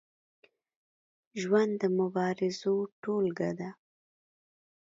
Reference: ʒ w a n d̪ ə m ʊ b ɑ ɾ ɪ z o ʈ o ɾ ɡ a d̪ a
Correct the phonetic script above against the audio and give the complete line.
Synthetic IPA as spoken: ʒ w a n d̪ ə m ʊ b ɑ ɾ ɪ z o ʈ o l ɡ a d̪ a